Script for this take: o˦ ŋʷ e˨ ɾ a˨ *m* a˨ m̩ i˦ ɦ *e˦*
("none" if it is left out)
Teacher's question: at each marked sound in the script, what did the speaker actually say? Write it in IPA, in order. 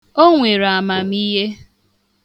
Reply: m, e˦

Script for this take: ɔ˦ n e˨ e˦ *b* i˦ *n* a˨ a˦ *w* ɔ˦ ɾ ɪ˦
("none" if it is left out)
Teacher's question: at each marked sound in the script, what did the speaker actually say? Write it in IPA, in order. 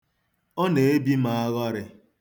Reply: b, m, ɣ

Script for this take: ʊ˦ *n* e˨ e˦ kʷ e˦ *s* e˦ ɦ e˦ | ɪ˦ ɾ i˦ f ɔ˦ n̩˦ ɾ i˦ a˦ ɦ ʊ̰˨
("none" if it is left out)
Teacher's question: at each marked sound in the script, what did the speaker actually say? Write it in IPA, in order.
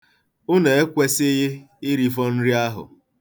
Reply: n, s

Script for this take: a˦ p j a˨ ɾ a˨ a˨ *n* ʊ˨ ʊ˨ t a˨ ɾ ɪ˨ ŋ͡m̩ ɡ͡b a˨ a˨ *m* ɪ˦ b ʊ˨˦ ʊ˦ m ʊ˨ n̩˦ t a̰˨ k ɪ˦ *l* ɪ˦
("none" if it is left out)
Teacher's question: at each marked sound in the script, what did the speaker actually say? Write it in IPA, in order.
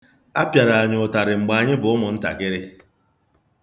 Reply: ɲ, ɲ, ɾ

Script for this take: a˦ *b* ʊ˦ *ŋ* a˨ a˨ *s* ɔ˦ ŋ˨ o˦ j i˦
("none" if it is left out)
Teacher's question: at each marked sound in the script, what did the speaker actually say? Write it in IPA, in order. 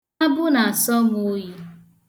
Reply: b, n, s

